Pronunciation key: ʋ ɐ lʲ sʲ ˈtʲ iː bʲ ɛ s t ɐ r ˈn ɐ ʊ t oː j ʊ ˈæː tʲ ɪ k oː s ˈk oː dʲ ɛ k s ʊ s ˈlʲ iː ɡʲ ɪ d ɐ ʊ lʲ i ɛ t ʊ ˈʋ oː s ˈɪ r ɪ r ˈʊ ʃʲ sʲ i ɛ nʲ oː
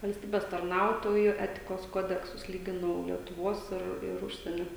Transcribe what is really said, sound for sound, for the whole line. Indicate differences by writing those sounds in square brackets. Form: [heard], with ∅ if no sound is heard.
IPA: ʋ ɐ lʲ sʲ ˈtʲ iː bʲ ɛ s t ɐ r ˈn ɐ ʊ t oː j ʊ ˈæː tʲ ɪ k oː s ˈk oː dʲ ɛ k s ʊ s ˈlʲ iː ɡʲ ɪ [n] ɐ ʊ lʲ i ɛ t ʊ ˈʋ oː s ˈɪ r ɪ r ˈʊ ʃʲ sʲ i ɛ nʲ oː